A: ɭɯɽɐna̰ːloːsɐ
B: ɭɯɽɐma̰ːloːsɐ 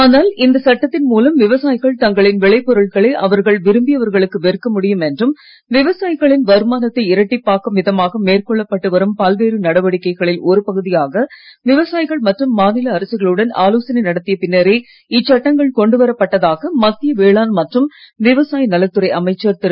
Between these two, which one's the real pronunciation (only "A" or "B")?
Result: A